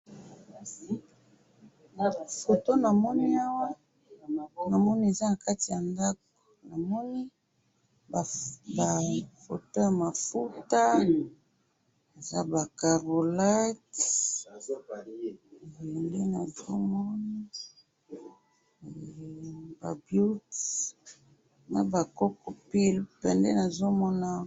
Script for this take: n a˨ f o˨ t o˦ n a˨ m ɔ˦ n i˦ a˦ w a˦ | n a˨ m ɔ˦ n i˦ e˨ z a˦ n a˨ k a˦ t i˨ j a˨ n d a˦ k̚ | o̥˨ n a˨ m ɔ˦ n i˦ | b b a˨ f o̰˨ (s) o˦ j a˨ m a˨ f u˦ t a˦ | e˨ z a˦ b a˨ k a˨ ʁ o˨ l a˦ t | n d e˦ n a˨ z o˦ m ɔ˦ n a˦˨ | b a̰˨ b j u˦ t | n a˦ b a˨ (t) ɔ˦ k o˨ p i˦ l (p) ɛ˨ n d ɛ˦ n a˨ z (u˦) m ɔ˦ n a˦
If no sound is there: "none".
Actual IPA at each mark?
t, k, p, o˦

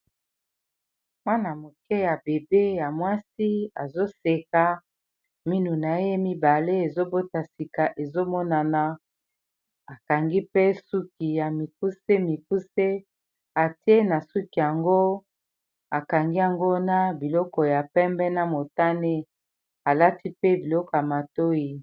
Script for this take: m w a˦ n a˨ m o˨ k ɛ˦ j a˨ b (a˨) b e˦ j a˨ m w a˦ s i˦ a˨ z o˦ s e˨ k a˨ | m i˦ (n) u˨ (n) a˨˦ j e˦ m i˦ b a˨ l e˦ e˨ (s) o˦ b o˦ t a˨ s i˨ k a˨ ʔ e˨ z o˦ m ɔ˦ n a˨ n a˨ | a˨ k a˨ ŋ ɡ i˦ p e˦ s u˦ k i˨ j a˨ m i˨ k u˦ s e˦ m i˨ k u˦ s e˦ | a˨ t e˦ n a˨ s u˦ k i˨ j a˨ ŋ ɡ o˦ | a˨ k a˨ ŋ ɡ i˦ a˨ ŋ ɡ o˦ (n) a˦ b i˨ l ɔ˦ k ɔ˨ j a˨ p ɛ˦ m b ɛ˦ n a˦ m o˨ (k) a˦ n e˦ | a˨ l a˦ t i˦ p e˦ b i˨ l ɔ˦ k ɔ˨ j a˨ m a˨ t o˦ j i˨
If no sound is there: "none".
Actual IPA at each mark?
e˨, n, n, z, n, t

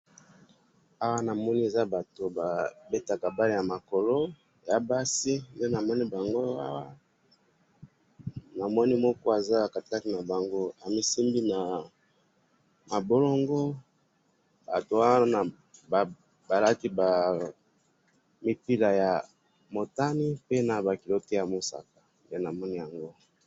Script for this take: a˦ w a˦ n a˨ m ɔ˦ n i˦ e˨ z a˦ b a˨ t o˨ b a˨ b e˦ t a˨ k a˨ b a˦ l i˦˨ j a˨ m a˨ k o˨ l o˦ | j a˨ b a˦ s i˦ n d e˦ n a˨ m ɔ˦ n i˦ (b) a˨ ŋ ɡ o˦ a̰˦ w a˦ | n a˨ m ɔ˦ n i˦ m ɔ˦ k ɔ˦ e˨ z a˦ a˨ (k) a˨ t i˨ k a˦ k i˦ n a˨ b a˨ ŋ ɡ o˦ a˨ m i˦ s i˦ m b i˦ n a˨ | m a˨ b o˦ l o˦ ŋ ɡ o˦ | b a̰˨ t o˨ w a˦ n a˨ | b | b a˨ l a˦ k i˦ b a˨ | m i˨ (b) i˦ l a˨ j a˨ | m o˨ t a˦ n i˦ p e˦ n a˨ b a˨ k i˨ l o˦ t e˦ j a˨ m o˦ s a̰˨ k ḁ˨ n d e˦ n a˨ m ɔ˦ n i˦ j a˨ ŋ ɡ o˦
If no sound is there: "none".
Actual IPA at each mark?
b, k, p

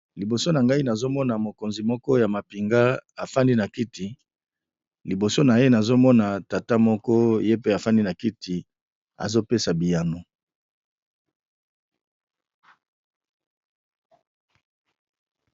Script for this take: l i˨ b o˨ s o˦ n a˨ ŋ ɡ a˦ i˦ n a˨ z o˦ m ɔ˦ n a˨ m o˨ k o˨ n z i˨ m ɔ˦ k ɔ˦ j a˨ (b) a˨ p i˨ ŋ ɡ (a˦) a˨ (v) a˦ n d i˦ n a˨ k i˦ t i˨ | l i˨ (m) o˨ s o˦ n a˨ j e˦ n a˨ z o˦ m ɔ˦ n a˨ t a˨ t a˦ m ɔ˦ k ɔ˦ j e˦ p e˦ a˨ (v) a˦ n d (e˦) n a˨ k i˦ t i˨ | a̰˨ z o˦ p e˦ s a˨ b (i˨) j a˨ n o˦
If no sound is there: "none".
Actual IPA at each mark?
m, a˦, f, b, f, i˦, i˨

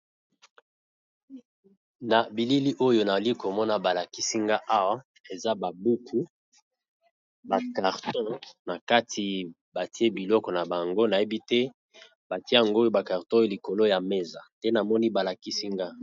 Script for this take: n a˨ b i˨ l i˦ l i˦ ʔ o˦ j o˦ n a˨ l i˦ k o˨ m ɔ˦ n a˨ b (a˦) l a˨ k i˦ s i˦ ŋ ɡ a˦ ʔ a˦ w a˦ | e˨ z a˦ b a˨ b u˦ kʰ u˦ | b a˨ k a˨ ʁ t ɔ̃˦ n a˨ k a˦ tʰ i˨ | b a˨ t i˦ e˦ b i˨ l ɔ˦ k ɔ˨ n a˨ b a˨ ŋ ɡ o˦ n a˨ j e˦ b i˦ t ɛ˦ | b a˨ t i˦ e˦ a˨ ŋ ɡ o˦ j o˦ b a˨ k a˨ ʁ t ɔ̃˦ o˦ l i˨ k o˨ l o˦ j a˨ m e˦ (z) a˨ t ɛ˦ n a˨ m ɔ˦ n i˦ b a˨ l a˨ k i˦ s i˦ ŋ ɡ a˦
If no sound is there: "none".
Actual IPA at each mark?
a˨, z

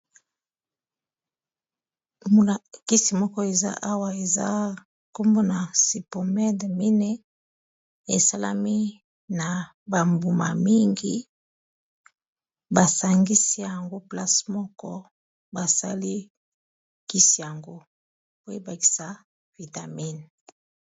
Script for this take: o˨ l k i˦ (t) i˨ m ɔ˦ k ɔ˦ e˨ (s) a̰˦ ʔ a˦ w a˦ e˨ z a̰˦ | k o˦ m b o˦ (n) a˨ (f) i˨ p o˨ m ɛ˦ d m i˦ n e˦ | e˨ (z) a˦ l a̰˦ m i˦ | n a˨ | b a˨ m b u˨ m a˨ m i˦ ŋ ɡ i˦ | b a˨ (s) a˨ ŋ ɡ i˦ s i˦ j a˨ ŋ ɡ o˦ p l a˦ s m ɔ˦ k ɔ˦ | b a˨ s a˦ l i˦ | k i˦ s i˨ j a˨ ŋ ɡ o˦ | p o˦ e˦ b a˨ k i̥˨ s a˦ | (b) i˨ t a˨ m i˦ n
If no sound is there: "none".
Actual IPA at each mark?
s, z, n, s, s, s, v

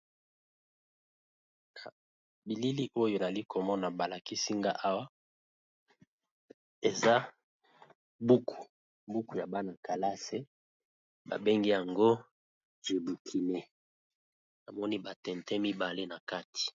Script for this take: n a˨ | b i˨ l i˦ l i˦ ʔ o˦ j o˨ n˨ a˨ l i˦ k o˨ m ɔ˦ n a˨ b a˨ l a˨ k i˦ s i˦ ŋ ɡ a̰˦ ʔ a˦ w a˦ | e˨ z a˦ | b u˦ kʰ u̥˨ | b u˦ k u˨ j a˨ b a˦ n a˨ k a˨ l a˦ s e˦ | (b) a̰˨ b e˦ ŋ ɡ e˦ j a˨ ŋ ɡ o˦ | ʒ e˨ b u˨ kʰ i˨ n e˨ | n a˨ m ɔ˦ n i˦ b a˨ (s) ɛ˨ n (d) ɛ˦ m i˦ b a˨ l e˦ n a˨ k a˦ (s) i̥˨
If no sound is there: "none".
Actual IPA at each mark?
b, t, t, t

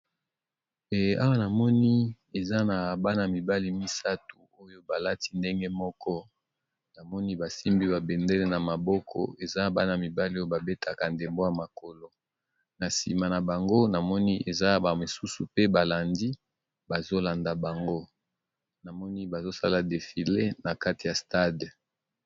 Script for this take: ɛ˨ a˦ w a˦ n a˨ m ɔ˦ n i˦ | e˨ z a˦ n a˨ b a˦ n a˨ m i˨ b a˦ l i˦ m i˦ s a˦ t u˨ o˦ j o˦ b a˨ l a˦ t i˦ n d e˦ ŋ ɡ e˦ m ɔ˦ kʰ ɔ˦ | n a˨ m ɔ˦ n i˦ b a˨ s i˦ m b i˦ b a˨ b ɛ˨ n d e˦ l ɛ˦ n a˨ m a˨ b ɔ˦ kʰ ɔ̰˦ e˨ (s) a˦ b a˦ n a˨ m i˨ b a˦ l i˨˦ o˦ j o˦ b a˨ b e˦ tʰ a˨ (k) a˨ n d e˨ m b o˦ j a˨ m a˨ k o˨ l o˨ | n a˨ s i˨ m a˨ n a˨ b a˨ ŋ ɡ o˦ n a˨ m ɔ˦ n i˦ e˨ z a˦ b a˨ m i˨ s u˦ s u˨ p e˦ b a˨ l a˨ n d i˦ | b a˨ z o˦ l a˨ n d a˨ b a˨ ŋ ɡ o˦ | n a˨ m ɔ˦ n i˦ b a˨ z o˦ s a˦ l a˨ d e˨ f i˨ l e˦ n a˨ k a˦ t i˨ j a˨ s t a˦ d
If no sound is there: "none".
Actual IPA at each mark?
z, k

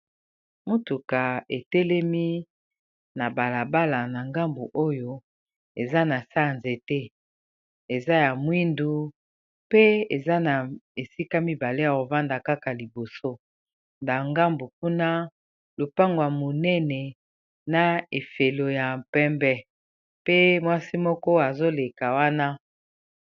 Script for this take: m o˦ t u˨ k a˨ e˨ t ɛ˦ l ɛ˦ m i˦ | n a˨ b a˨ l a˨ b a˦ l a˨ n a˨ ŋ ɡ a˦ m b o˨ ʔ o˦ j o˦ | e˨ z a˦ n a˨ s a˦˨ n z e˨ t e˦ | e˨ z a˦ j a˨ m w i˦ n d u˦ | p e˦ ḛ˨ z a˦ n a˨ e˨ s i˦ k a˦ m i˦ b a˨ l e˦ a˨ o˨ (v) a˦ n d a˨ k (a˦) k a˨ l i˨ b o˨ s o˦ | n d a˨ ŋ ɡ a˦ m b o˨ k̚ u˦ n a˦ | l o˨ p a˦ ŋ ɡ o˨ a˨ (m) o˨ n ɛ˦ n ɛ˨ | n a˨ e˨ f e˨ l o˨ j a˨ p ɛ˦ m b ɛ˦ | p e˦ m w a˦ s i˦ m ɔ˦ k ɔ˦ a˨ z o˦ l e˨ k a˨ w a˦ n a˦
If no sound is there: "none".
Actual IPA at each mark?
v, a˦, m

